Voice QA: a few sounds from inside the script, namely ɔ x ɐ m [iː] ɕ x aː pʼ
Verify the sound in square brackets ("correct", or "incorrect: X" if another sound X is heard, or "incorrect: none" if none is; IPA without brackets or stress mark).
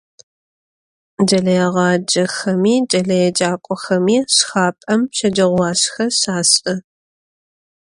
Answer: correct